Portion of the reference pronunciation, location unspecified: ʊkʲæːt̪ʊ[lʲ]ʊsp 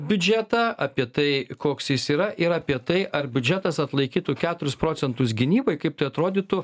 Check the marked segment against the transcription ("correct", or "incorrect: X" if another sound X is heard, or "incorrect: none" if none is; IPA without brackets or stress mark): incorrect: ɾʲ